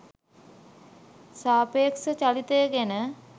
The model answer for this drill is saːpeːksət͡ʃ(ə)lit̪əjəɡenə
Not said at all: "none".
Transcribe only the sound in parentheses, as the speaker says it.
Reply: a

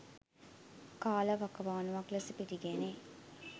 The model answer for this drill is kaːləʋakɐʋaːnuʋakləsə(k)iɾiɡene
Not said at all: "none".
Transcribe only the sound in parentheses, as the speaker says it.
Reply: p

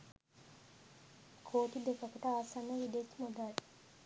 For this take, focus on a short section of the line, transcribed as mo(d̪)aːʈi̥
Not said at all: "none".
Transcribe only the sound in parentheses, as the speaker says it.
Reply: d̪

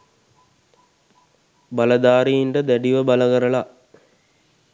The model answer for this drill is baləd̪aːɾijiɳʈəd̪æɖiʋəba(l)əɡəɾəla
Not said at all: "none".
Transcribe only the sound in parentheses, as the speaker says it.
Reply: l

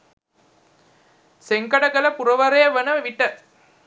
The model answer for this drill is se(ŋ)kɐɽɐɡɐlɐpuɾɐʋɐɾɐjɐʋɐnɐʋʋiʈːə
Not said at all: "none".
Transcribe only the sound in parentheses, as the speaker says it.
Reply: ŋ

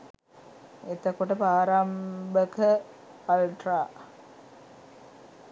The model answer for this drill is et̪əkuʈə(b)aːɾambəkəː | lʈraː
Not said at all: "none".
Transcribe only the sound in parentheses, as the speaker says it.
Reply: p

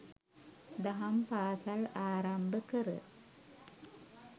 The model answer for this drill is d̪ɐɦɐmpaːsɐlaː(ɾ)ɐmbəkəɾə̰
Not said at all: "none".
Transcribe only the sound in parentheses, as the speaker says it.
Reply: ɾ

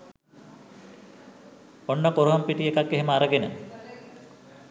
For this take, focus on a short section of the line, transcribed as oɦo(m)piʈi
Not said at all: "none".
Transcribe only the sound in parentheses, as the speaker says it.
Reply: m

